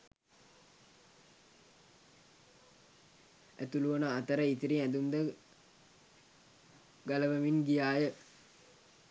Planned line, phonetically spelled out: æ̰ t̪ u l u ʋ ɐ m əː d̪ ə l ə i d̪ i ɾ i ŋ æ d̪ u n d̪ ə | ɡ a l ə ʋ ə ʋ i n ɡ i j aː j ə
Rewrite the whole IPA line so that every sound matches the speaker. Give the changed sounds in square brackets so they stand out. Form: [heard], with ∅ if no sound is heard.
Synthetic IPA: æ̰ t̪ u l u ʋ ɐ [n] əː [t̪] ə [ɾ] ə i [t̪] i ɾ i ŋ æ d̪ u n d̪ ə | ɡ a l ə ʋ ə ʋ i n ɡ i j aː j ə